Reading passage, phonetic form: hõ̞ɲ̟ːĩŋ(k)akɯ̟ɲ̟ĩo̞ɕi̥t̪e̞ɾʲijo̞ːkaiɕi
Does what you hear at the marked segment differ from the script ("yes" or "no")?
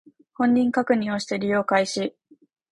no